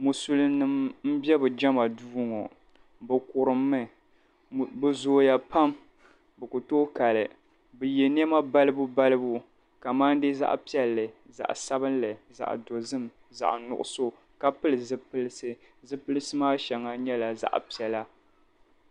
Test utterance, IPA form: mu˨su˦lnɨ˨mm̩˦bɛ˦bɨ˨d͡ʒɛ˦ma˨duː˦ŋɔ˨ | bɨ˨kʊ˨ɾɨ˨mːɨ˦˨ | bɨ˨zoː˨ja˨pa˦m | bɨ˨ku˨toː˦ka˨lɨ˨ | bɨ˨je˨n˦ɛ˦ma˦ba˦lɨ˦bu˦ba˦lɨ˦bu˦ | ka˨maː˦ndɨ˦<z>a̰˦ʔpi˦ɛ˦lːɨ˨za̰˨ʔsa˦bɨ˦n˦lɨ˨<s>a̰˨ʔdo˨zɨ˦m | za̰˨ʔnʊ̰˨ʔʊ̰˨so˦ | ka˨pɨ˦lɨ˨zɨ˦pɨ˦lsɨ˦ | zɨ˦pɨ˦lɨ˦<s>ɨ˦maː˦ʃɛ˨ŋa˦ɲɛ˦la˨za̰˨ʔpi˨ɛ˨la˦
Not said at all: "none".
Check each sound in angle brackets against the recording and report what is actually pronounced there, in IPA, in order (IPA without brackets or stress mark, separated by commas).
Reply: z, z, s